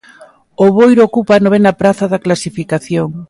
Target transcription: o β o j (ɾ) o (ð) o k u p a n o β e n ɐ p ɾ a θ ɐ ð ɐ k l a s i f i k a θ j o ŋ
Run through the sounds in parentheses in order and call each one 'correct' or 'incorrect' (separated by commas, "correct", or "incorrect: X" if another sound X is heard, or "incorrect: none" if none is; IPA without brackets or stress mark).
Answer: correct, incorrect: none